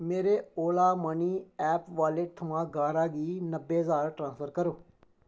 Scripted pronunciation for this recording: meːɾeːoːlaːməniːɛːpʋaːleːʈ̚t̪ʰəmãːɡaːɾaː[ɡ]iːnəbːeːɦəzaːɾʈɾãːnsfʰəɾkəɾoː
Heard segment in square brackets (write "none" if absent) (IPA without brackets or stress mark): ɡ